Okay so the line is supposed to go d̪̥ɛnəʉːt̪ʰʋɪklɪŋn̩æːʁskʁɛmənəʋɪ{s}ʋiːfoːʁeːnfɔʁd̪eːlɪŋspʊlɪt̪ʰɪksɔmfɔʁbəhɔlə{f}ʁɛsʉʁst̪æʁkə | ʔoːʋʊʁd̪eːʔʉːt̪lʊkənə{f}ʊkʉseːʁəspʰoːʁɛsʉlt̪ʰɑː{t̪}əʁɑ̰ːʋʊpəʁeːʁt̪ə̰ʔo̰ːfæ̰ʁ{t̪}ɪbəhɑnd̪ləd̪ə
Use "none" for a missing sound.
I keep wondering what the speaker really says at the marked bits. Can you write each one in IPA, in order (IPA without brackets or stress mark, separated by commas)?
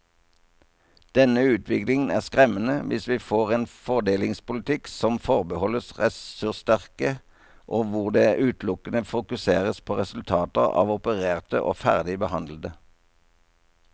s, s, f, t̪, d̪